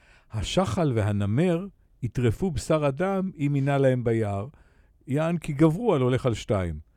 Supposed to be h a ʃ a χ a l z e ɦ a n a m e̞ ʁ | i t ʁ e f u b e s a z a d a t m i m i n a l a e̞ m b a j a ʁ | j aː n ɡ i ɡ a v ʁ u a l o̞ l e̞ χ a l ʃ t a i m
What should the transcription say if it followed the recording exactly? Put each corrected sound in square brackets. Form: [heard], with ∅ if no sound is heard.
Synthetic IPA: h a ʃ a χ a l [v] e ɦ a n a m e̞ ʁ | i t ʁ e f u b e s a [ʁ] a d a [∅] m i m i n a l a e̞ m b a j a ʁ | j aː n [k] i ɡ a v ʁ u a l o̞ l e̞ χ a l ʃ t a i m